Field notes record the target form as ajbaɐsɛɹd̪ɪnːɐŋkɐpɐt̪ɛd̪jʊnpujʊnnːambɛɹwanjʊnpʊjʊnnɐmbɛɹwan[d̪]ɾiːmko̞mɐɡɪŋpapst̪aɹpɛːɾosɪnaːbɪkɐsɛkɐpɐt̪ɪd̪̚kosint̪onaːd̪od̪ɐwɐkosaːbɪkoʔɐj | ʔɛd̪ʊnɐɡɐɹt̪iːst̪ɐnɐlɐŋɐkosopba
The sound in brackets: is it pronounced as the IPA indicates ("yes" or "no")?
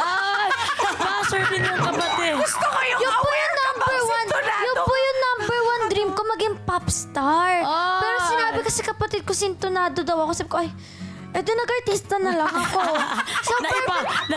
yes